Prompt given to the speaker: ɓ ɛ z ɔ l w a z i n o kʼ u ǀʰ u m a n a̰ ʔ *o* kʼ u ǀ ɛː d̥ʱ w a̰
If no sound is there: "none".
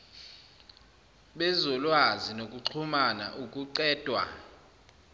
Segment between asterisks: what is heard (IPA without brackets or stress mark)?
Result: u